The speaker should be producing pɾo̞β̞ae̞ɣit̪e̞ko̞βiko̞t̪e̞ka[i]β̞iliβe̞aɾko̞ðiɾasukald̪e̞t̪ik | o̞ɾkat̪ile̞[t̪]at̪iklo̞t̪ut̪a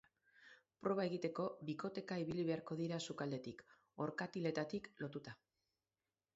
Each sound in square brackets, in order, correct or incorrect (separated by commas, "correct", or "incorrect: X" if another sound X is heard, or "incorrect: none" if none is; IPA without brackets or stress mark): correct, correct